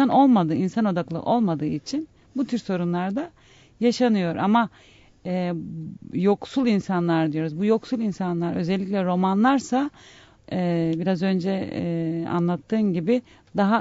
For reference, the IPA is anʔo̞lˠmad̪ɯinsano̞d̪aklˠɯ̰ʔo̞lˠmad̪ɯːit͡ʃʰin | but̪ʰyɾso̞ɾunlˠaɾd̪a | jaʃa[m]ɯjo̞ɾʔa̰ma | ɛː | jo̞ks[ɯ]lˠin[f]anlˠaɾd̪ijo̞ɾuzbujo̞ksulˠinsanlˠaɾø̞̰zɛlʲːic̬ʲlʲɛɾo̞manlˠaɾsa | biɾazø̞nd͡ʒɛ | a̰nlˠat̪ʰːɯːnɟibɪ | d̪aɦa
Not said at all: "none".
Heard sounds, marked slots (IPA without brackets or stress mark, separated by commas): n, u, s